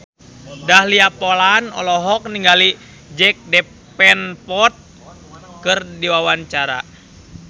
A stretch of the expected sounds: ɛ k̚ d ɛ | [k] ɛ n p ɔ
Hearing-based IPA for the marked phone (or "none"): p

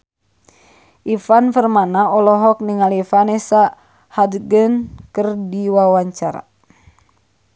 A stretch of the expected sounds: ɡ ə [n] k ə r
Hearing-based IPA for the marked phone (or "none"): n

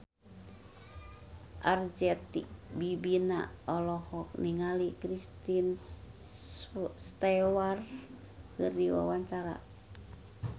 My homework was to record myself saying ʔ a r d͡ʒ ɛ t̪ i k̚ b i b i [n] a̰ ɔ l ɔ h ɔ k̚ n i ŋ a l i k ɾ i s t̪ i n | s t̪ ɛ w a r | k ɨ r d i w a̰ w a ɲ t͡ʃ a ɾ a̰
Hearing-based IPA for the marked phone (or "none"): n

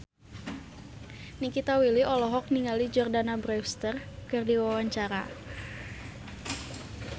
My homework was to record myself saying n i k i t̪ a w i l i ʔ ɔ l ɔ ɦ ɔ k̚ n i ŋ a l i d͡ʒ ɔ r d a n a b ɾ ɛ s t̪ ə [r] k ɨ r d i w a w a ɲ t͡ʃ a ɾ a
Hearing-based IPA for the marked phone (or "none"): r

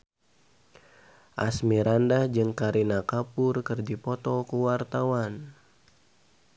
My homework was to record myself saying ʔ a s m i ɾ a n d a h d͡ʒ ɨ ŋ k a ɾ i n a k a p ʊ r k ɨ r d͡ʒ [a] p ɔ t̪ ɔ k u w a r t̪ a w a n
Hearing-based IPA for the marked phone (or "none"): i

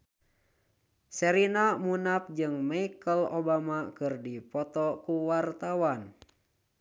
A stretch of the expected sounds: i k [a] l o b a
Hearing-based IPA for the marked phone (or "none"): ə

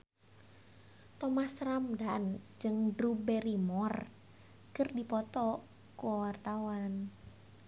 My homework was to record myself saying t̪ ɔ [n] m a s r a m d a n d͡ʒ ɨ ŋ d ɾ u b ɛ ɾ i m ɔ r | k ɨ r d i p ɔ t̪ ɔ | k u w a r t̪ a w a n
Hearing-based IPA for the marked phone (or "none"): none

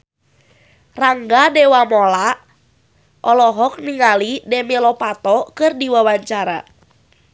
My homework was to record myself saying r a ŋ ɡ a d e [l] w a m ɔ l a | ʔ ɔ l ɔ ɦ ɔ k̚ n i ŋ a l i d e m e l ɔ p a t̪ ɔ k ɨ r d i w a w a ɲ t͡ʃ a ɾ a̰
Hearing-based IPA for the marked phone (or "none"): none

